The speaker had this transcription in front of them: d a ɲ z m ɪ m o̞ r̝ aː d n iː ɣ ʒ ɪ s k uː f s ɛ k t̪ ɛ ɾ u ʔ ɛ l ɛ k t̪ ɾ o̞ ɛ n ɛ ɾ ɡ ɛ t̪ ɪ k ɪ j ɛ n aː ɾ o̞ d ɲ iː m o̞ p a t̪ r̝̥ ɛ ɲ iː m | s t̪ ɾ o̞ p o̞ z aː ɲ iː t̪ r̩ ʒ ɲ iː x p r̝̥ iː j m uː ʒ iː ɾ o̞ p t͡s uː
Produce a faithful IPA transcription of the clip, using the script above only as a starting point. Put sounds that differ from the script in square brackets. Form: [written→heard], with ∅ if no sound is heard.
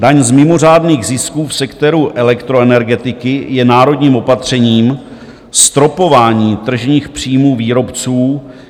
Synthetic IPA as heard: d a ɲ z m ɪ m o̞ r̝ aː d n iː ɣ [ʒ→z] ɪ s k uː f s ɛ k t̪ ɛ ɾ u ʔ ɛ l ɛ k t̪ ɾ o̞ ɛ n ɛ ɾ ɡ ɛ t̪ ɪ k ɪ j ɛ n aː ɾ o̞ d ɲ iː m o̞ p a t̪ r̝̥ ɛ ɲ iː m | s t̪ ɾ o̞ p o̞ [z→v] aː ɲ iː t̪ r̩ ʒ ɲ iː x p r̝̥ iː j m uː [ʒ→v] iː ɾ o̞ p t͡s uː